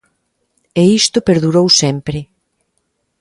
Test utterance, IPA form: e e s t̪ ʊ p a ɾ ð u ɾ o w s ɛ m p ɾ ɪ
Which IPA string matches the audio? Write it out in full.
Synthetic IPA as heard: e i s t̪ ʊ p e ɾ ð u ɾ o w s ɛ m p ɾ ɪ

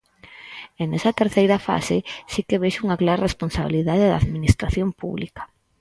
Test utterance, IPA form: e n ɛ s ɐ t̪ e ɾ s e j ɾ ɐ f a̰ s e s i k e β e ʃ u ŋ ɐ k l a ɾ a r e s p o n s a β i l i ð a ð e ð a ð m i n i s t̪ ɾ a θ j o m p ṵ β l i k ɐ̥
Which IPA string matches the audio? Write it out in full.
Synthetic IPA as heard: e n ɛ s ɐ t̪ e ɾ θ e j ɾ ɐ f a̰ s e s i k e β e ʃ u ŋ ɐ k l a ɾ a r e s p o n s a β i l i ð a ð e ð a ð m i n i s t̪ ɾ a θ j o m p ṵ β l i k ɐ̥

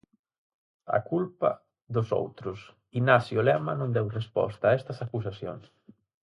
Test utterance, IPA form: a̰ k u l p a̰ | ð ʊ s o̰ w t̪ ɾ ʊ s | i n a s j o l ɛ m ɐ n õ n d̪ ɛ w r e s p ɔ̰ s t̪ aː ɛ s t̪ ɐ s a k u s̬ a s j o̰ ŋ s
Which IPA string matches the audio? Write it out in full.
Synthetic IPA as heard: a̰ k u l p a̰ | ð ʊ s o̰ w t̪ ɾ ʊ s | i n a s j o l ɛ m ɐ n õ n d̪ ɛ w r e s p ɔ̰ s t̪ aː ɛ s t̪ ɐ s a k u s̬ a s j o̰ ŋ s

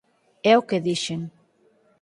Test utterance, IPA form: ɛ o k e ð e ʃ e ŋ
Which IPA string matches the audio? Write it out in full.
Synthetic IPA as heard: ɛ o k e ð i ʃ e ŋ

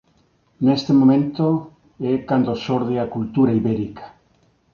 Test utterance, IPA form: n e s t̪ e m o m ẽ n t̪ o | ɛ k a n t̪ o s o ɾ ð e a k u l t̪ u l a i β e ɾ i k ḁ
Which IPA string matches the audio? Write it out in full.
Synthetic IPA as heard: n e s t̪ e m o m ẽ n t̪ o | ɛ k a n d̪ o s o ɾ ð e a k u l t̪ u ɾ a i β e ɾ i k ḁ

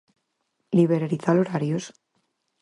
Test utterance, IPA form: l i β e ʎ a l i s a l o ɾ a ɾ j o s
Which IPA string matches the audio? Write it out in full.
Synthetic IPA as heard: l i β e ɾ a ɾ i θ a l o ɾ a ɾ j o s

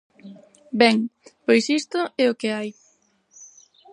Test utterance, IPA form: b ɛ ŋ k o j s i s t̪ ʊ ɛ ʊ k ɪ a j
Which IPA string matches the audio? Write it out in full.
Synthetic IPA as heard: b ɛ ŋ p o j s i s t̪ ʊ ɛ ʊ k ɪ a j

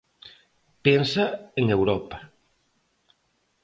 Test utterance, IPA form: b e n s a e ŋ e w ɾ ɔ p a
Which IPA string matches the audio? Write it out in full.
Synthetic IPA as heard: p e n s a e ŋ e w ɾ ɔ p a

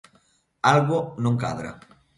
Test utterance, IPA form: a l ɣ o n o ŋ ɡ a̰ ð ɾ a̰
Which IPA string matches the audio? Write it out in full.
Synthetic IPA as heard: a l ɣ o n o ŋ k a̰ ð ɾ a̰

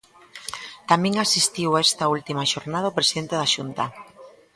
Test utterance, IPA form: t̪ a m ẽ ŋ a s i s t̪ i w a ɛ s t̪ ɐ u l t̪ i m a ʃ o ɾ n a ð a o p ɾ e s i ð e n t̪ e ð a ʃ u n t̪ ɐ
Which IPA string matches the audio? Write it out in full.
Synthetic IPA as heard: t̪ a m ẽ ŋ a s i s t̪ i w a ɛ s t̪ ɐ u l t̪ i m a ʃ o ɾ n a ð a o p ɾ e s i ð e n t̪ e ð a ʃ u n t̪ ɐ

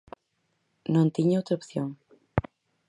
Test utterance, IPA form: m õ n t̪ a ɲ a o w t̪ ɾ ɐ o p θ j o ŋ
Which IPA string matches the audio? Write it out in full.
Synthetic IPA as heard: n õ n t̪ i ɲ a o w t̪ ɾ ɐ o p θ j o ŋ

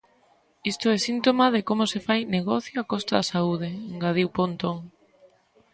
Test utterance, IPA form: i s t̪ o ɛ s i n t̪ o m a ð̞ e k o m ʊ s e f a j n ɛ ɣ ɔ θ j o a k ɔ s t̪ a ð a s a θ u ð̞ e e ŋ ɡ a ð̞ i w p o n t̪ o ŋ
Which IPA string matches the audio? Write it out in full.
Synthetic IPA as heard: i s t̪ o ɛ s i n t̪ o m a ð̞ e k o m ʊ s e f a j n e ɣ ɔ θ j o a k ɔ s t̪ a ð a s a u ð̞ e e ŋ ɡ a ð̞ i w p o n t̪ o ŋ

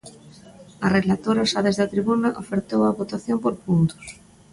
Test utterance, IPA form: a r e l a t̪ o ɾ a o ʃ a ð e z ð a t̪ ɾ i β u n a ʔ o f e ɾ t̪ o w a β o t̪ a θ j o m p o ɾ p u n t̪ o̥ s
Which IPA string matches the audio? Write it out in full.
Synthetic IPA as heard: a r e l a t̪ o ɾ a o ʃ a ð e z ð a t̪ ɾ i β u n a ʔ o f e ɾ t̪ o w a β o t̪ a θ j o m p o ɾ p u n t̪ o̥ s

